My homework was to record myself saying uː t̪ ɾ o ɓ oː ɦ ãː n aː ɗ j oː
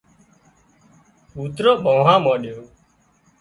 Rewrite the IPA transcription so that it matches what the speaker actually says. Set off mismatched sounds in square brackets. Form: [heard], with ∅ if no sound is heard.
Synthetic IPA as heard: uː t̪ ɾ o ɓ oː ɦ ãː [m] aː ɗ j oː

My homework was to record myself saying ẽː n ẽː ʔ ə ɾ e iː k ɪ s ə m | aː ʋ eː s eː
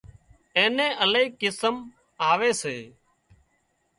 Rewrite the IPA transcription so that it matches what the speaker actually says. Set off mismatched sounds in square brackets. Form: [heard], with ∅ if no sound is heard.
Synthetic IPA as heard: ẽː n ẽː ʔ ə [l] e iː k ɪ s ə m | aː ʋ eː s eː

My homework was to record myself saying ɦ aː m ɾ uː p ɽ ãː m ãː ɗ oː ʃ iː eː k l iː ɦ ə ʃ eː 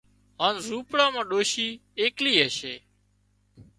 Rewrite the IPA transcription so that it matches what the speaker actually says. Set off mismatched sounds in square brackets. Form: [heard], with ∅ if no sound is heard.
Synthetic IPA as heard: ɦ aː [n] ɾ uː p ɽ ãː m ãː ɗ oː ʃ iː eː k l iː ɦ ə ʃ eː

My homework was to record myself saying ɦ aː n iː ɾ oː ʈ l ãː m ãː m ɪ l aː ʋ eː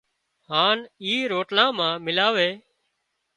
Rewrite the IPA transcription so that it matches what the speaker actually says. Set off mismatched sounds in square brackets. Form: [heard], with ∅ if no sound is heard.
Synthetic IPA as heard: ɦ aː n iː ɾ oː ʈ l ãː m ãː m ɪ l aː ʋ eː

